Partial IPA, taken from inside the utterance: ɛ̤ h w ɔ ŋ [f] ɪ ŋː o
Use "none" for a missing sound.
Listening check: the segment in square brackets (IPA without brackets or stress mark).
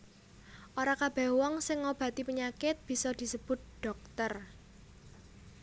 s